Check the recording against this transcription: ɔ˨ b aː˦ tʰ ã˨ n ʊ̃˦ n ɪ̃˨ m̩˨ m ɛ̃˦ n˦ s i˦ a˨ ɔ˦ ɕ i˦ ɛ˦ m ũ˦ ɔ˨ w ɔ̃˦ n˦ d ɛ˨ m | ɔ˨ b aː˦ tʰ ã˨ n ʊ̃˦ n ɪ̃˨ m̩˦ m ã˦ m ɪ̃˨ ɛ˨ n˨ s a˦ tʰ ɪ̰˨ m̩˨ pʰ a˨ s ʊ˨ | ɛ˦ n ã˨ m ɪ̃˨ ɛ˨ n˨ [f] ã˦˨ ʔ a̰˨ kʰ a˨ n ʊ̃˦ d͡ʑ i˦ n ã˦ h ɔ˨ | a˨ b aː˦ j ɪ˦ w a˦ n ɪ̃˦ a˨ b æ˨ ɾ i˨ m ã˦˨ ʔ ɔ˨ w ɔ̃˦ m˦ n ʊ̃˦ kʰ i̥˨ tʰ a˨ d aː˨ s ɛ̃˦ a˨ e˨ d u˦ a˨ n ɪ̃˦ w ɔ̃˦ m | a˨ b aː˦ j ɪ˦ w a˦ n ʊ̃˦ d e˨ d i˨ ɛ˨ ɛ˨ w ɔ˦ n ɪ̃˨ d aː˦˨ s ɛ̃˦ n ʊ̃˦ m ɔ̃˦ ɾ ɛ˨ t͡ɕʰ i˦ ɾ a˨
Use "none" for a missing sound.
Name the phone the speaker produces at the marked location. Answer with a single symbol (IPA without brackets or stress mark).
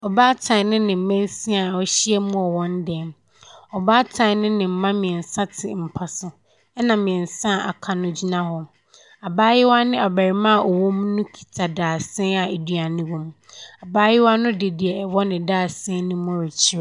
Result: s